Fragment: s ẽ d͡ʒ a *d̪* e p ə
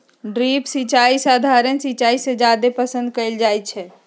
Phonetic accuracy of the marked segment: correct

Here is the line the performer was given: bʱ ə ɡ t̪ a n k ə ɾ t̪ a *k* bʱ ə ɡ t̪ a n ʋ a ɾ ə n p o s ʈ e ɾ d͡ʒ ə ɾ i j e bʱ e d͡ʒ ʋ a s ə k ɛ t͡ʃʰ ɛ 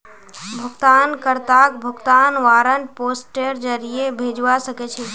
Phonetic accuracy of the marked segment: correct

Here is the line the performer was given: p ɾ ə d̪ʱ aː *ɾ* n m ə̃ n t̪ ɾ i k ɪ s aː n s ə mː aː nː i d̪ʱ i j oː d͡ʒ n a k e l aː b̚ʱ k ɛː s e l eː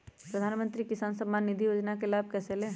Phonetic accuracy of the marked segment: incorrect: none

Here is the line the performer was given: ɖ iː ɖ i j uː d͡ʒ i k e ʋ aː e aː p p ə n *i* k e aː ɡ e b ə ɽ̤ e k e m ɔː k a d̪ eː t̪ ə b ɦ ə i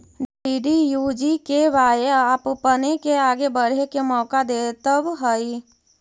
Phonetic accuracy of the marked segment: incorrect: e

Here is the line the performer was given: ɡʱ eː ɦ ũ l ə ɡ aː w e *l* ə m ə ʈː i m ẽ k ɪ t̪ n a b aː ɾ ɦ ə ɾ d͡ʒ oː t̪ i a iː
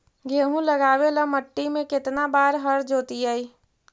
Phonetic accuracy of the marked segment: correct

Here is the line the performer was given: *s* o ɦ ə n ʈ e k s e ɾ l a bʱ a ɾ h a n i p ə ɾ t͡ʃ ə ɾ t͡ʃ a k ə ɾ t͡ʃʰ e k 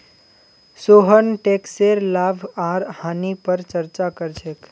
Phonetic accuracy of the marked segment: correct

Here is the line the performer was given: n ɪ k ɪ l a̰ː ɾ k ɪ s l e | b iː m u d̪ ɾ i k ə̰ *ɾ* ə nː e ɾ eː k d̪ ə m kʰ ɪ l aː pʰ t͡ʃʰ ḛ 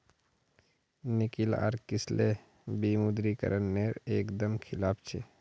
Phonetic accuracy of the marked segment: correct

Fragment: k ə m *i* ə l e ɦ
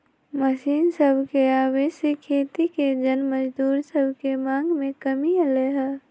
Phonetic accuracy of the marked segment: correct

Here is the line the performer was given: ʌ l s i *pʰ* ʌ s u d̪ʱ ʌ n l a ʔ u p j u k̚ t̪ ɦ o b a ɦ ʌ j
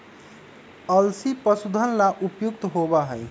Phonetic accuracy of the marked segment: incorrect: p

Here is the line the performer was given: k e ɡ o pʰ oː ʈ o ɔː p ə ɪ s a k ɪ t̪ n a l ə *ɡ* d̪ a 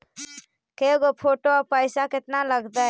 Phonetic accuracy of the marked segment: correct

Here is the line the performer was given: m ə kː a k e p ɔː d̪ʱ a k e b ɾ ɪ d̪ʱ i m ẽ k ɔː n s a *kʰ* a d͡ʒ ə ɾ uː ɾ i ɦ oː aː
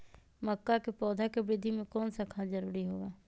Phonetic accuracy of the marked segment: correct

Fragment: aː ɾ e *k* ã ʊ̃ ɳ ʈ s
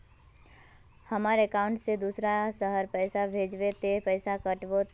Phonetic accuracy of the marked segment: correct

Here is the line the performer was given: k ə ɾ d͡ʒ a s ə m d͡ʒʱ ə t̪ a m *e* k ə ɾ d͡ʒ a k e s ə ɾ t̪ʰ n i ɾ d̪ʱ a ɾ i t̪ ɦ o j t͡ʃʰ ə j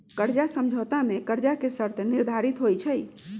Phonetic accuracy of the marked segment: correct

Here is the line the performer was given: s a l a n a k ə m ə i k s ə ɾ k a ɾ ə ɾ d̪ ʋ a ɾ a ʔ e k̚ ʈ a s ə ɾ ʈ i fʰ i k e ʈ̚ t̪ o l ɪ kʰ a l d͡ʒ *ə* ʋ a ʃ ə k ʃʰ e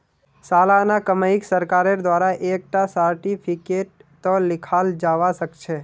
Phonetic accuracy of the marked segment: incorrect: a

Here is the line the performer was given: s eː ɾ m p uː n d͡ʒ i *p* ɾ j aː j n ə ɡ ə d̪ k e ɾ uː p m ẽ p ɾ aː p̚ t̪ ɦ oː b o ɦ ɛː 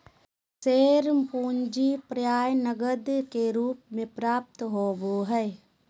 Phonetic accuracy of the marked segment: correct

